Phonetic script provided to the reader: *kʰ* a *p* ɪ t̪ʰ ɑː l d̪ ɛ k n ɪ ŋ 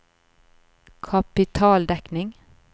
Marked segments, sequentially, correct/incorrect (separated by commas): correct, correct